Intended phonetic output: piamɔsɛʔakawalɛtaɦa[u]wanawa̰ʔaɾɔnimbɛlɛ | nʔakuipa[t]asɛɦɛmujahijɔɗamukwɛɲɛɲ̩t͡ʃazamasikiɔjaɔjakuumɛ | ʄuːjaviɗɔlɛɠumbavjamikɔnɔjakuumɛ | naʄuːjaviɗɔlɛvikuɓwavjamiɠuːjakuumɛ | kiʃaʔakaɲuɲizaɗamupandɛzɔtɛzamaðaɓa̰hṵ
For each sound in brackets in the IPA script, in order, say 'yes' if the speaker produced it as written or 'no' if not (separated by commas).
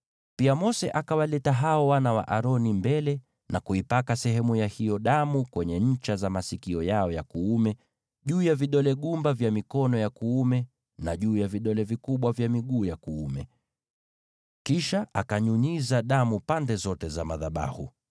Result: no, no